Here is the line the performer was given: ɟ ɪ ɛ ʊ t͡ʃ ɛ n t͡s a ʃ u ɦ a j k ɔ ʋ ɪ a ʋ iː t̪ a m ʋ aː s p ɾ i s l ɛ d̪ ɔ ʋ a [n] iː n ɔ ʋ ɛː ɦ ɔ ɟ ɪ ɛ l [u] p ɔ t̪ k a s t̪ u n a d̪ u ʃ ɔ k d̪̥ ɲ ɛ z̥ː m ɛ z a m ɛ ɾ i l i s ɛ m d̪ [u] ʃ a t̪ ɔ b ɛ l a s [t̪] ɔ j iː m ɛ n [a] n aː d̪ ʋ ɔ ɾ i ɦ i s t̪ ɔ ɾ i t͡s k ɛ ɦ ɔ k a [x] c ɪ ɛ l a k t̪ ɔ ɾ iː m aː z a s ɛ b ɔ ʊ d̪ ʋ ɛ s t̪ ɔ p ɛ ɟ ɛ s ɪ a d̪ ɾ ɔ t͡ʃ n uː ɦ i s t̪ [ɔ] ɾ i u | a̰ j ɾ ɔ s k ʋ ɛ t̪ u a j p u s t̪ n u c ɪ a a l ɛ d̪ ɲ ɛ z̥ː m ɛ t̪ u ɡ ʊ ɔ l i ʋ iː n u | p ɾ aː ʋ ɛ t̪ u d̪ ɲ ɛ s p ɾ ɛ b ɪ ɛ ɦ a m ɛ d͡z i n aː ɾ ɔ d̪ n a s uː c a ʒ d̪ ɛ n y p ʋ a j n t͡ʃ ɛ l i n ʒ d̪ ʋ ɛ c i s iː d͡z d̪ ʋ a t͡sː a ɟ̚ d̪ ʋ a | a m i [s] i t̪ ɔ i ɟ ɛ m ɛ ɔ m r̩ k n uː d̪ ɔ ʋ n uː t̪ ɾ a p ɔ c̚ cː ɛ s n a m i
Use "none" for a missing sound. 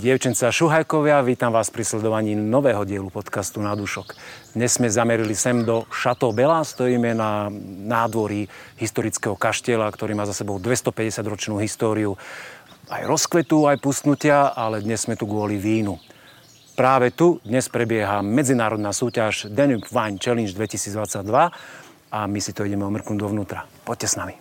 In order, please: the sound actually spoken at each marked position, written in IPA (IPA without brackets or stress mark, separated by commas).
ɲ, u, ɔ, t̪, a, ʃ, ɔː, s